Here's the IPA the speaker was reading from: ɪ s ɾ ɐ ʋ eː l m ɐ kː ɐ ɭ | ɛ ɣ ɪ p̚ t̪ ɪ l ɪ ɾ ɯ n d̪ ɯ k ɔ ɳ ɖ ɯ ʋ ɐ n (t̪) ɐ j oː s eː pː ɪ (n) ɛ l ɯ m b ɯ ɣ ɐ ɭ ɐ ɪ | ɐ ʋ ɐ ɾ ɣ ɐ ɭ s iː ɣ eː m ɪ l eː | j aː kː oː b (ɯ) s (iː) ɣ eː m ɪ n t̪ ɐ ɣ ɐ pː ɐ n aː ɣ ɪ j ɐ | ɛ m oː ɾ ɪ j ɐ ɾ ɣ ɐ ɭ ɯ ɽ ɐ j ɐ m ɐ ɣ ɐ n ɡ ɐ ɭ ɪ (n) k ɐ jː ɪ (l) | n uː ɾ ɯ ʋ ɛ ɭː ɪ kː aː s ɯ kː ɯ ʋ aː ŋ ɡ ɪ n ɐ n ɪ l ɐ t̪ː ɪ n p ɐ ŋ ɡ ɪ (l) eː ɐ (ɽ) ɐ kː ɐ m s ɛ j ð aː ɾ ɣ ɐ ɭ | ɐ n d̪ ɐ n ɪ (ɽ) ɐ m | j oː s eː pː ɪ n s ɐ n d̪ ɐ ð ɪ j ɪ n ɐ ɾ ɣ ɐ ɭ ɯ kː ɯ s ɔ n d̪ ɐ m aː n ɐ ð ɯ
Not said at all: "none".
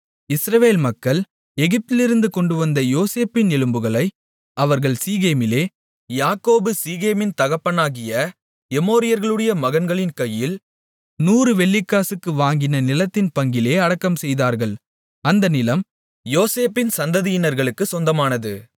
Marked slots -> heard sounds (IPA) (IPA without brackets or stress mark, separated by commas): d̪, n, ɯ, iː, n, l, l, ɽ, l